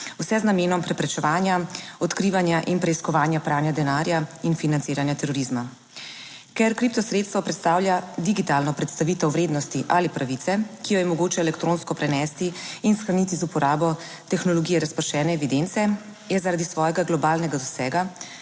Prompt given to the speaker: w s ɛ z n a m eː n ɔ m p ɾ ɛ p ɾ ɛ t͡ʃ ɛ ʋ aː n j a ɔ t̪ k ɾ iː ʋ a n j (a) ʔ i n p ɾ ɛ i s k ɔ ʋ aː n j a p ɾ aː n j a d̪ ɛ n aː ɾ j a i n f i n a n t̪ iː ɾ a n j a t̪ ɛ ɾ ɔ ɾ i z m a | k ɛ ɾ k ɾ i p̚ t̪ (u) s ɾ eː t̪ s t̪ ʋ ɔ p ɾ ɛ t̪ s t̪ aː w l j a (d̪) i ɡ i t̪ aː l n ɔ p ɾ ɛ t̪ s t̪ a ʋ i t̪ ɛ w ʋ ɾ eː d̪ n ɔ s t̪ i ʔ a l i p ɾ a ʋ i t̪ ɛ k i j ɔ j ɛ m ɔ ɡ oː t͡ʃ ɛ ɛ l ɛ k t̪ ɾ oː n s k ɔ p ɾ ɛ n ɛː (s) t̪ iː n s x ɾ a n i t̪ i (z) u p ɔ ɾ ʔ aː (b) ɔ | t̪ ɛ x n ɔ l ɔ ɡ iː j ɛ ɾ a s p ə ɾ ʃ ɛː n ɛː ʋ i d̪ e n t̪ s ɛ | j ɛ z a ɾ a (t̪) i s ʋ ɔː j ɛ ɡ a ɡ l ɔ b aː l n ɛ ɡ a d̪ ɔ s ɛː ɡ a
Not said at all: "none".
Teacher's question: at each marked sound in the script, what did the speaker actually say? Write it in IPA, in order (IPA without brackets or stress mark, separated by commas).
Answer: a, ɔ, d̪, s, z, b, d̪